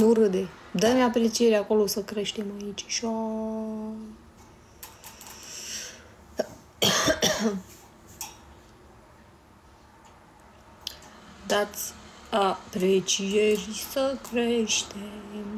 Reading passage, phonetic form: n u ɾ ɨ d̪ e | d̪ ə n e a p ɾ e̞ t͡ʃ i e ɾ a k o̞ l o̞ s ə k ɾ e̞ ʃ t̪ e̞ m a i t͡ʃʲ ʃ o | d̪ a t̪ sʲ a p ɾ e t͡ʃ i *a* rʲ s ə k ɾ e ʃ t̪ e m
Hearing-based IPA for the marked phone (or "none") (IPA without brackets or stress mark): e